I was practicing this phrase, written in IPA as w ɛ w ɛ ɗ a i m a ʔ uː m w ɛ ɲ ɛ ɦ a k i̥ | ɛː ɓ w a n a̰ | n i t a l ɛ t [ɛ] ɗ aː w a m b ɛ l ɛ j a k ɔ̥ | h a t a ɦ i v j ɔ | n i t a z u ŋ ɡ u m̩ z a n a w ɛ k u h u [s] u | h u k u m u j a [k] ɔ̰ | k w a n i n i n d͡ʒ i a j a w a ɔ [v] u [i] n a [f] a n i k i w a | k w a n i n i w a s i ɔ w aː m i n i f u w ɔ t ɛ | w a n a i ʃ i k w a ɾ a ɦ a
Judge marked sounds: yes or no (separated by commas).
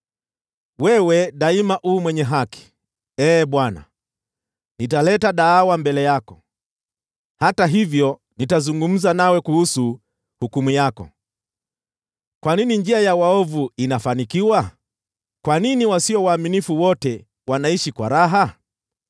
no, yes, yes, yes, yes, yes